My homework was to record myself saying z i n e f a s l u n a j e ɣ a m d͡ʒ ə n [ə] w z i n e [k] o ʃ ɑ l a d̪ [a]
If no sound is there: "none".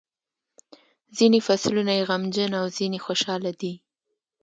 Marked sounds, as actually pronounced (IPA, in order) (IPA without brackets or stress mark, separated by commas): a, x, i